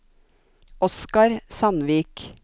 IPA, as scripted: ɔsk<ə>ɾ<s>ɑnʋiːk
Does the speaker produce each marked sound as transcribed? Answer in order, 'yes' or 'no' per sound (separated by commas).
no, yes